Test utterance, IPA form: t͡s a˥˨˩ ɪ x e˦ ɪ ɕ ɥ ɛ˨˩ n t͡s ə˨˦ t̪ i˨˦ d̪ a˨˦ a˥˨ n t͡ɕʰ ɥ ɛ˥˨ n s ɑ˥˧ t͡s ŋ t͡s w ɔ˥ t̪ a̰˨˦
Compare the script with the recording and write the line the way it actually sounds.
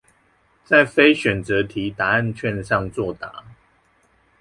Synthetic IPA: t͡s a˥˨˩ ɪ f e˦ ɪ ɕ ɥ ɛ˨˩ n t͡s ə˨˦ t̪ʰ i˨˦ t̪ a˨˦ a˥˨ n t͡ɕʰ ɥ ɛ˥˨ n ʂ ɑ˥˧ ŋ t͡s w ɔ˥˨ t̪ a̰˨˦